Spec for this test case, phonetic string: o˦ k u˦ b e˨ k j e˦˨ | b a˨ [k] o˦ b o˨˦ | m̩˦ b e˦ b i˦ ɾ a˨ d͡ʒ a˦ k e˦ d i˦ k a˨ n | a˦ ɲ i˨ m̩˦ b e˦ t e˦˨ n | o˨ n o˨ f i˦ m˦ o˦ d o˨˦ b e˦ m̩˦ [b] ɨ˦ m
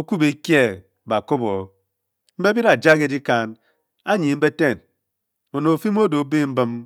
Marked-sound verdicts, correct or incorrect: correct, correct

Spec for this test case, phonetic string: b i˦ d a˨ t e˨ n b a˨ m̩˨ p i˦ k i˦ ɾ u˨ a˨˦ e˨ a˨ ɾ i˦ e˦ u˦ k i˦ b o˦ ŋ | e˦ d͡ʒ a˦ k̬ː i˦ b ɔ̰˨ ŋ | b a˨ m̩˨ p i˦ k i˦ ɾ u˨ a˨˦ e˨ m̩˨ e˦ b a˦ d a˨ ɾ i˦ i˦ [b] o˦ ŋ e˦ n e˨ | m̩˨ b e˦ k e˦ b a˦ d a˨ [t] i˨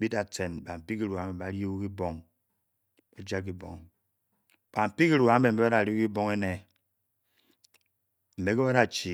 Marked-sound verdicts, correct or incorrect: correct, incorrect: t͡ʃ

